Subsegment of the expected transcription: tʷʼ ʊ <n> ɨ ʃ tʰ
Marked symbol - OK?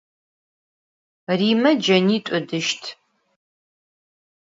no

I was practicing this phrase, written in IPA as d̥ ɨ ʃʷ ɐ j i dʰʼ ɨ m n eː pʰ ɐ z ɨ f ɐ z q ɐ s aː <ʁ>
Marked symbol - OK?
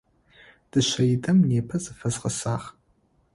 no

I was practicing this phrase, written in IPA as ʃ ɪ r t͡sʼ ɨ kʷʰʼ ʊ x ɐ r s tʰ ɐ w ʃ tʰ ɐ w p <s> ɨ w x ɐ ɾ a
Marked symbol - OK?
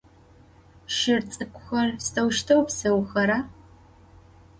yes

